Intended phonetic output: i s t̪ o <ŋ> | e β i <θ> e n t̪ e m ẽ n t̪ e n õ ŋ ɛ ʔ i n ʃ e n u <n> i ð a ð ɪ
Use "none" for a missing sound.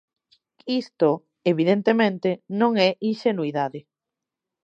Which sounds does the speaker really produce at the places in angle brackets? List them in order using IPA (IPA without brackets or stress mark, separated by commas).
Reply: none, ð, none